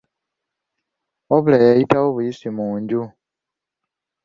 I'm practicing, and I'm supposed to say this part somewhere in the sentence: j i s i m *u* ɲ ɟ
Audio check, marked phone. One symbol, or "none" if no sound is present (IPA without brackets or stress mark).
uː